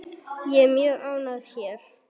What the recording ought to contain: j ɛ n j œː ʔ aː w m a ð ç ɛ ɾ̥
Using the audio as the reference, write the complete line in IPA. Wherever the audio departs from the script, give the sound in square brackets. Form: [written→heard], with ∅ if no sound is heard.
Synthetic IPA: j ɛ [n→m] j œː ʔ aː w [m→n] a ð ç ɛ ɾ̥